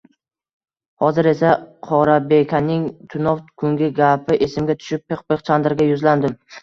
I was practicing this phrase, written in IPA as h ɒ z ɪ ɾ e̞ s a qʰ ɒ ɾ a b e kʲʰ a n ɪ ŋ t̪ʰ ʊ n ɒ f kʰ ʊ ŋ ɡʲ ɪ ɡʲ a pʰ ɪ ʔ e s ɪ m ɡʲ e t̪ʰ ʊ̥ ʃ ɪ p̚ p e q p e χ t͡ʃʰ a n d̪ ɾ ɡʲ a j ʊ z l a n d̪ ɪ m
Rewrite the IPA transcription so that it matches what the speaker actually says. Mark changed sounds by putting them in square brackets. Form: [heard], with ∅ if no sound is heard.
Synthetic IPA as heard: h ɒ z ɪ ɾ e̞ s a qʰ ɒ ɾ a b e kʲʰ a n ɪ ŋ t̪ʰ ʊ n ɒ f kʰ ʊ ŋ ɡʲ ɪ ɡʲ a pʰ ɪ ʔ e s ɪ m ɡʲ [a] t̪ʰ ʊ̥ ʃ ɪ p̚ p e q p e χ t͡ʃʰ a n d̪ ɾ ɡʲ a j ʊ z l a n d̪ ɪ m

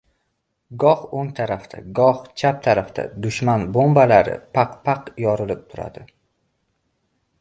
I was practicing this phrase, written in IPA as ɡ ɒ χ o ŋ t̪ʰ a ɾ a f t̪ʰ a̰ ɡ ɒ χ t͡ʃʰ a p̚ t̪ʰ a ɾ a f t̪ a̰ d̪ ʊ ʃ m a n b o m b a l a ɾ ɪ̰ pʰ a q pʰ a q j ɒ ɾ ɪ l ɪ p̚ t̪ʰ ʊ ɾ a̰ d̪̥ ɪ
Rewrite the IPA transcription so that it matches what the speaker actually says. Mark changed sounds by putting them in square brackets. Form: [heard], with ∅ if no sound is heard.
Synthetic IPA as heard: ɡ ɒ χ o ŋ t̪ʰ a ɾ a f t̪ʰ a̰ ɡ ɒ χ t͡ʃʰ a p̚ t̪ʰ a ɾ a f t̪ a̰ d̪ ʊ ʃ m a n b o m b a l a ɾ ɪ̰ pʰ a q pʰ a q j ɒ ɾ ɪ l ɪ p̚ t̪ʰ ʊ ɾ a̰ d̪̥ ɪ

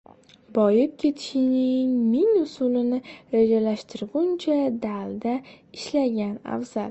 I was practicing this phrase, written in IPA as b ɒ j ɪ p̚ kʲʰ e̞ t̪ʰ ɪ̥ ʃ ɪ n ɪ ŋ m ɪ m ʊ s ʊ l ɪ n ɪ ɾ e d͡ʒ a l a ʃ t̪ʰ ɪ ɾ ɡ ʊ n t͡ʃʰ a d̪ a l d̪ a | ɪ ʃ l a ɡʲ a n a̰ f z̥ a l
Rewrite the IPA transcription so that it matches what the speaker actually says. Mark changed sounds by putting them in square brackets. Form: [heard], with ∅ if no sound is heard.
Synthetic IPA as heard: b ɒ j ɪ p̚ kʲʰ e̞ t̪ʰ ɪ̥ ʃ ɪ n ɪ ŋ m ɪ [ŋ] ʊ s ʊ l ɪ n ɪ ɾ e d͡ʒ a l a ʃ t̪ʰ ɪ ɾ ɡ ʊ n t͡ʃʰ a d̪ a l d̪ a | ɪ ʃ l a ɡʲ a n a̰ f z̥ a l

